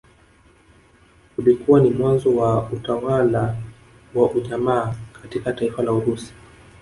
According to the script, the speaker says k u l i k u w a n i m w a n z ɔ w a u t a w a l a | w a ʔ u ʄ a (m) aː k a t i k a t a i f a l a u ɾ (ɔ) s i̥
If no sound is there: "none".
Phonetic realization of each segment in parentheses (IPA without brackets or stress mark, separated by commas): m, u